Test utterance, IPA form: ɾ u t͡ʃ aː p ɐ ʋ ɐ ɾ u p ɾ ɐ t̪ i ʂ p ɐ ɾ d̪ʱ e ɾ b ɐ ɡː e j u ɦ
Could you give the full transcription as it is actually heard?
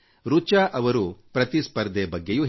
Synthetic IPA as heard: ɾ u t͡ʃ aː ʔ ɐ ʋ ɐ ɾ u p ɾ ɐ t̪ i s p ɐ ɾ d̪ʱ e b ɐ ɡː e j u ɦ